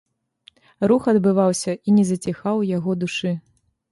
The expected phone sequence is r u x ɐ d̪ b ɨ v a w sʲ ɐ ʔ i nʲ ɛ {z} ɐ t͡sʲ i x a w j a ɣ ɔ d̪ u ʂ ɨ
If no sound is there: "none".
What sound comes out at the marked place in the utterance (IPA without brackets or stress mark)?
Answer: z